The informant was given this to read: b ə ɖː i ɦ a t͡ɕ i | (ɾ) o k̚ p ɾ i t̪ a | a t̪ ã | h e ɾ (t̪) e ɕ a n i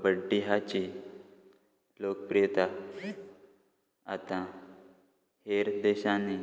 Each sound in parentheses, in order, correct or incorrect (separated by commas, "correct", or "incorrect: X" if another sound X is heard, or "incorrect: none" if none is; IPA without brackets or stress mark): incorrect: l, incorrect: d̪